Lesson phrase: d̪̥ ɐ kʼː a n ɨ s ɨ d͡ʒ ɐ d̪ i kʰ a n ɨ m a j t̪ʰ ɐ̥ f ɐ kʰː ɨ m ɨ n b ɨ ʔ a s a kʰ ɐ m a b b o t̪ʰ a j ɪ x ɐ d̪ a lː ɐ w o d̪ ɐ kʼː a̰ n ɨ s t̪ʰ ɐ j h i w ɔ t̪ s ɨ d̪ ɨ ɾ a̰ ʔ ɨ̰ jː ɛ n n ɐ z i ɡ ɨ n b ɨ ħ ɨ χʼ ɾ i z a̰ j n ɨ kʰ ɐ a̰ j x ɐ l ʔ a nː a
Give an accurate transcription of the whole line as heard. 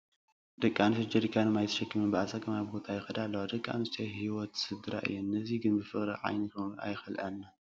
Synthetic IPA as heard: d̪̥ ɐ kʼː a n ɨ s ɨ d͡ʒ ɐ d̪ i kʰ a n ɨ m a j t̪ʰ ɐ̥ ʃ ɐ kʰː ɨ m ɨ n b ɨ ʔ a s a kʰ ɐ m a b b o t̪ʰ a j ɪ x ɐ d̪ a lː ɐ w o d̪ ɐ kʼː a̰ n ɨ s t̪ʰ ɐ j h i w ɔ t̪ s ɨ d̪ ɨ ɾ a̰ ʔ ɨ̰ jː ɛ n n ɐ z i ɡ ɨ n b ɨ f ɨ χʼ ɾ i ʕ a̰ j n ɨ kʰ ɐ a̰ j x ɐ l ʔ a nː a